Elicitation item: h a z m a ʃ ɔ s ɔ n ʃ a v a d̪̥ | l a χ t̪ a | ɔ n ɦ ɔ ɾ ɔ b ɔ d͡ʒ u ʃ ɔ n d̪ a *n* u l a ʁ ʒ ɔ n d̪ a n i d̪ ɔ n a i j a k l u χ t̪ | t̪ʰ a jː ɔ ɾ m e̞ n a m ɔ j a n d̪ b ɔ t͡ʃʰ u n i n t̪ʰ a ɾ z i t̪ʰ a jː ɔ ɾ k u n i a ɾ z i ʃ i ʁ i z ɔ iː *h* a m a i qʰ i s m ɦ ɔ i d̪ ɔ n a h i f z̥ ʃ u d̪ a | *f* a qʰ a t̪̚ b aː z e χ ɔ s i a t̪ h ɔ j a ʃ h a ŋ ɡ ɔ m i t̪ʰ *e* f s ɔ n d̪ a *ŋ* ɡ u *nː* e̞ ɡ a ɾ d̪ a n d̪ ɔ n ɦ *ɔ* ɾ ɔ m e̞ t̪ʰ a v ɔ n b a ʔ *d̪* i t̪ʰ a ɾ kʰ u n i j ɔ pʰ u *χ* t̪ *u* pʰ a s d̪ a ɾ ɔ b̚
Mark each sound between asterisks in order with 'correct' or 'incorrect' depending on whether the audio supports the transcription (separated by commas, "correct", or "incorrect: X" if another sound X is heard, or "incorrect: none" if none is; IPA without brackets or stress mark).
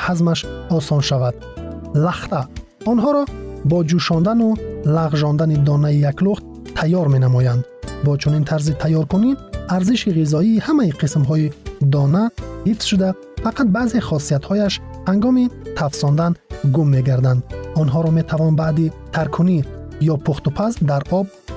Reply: correct, correct, correct, incorrect: a, incorrect: n, incorrect: mː, correct, correct, correct, correct